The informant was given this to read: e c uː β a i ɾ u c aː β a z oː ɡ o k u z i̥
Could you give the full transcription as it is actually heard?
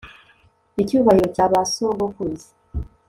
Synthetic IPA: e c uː β a i ɾ o c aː β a s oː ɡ o k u z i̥

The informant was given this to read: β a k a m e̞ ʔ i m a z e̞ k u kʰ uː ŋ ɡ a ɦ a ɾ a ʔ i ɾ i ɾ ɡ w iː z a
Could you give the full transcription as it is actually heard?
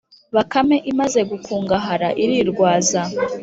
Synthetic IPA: β a k a m e̞ ʔ i m a z e̞ ɡ u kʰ uː ŋ ɡ a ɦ a ɾ a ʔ i ɾ i ɾ ɡ w aː z a

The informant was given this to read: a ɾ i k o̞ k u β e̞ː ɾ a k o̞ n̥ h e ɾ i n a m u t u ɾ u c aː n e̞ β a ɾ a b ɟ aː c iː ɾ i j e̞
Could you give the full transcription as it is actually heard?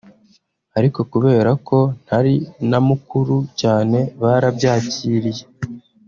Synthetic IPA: a ɾ i k o̞ k u β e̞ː ɾ a k o̞ n̥ h a ɾ i n a m u k u ɾ u c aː n e̞ β a ɾ a b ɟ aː c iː ɾ i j e̞

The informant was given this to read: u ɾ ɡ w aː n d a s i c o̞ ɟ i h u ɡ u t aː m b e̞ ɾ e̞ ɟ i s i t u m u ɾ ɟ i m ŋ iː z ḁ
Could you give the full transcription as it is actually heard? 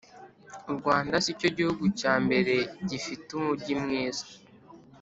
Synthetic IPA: u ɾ ɡ w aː n d a s i c o̞ ɟ i h u ɡ u c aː m b e̞ ɾ e̞ ɟ i f i t u m u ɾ ɟ i m ŋ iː z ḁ

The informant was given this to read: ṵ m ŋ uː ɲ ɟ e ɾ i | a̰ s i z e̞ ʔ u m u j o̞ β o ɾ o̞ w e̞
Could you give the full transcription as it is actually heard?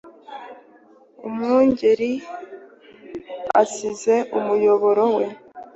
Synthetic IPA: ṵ m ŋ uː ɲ ɟ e ɾ i | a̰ s i z e̞ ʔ u m u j o̞ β o ɾ o̞ w e̞

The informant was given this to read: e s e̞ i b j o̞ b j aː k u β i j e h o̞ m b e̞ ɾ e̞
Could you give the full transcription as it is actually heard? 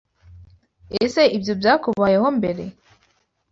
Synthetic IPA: e s e̞ i b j o̞ b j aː k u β a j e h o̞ m b e̞ ɾ e̞

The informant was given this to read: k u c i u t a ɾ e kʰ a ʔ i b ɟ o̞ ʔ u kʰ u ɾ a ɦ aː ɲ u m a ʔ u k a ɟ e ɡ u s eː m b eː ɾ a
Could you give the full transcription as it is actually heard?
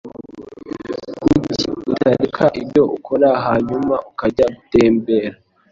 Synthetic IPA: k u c i u t a ɾ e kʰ a ʔ i b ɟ o̞ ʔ u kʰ o ɾ a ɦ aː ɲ u m a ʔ u k a ɟ a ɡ u t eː m b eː ɾ a

